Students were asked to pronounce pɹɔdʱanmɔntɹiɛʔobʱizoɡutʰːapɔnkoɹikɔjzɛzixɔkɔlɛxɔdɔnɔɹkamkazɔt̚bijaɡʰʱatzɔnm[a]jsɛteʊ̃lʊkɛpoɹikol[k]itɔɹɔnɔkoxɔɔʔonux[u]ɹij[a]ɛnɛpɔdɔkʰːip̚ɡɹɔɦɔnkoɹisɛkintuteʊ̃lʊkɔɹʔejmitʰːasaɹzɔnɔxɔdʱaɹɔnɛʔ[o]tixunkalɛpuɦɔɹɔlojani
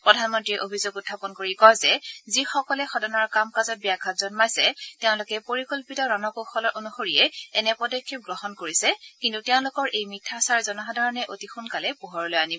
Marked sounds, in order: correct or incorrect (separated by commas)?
correct, incorrect, incorrect, incorrect, correct